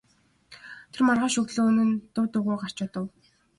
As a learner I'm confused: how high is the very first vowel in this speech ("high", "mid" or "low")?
mid